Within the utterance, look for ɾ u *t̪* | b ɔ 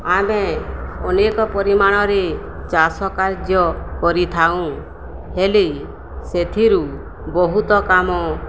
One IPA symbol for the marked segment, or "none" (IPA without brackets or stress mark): none